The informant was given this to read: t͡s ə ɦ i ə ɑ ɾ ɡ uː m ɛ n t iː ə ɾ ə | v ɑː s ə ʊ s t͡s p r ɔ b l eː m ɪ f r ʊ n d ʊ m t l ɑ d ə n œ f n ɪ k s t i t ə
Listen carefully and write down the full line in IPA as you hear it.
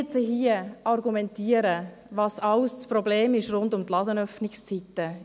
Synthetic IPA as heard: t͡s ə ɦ i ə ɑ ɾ ɡ u m ɛ n t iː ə ɾ ə | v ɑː s ɑ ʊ s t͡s p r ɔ b l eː m ɪ ʃ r ʊ n d ʊ m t l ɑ d ə n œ f n ɪ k s t͡s i t ə